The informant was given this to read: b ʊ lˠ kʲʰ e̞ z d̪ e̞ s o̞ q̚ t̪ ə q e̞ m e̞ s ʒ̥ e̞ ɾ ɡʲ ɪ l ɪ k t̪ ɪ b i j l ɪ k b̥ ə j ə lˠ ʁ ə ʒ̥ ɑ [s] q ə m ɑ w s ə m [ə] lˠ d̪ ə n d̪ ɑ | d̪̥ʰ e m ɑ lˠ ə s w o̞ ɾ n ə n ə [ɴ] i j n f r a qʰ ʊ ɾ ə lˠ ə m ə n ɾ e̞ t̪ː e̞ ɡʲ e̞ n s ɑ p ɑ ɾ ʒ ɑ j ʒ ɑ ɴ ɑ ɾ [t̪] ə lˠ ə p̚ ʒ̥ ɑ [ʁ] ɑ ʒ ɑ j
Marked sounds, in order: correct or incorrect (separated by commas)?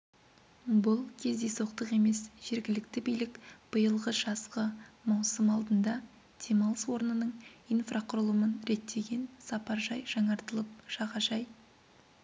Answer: correct, incorrect, correct, correct, correct